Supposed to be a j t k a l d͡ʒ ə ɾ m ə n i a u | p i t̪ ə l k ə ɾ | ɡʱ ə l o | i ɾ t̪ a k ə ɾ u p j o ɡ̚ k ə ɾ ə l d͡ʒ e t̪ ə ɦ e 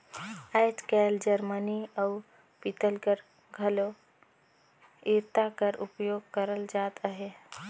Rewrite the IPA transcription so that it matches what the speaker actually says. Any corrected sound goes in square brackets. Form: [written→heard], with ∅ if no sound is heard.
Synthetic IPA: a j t k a l d͡ʒ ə ɾ m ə n i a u | p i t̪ ə l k ə ɾ | ɡʱ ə l o | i ɾ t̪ a k ə ɾ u p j o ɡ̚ k ə ɾ ə l d͡ʒ [e→a] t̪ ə ɦ e